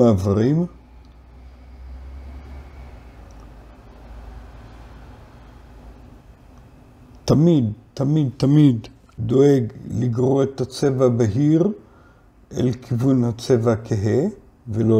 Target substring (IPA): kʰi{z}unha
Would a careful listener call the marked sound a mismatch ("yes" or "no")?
yes